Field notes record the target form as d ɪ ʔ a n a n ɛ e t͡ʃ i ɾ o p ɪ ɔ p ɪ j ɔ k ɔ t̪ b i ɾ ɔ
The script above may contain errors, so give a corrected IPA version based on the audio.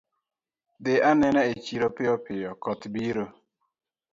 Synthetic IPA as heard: d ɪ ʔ a n ɛ n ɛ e t͡ʃ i ɾ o p ɪ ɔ p ɪ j ɔ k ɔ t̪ b i ɾ o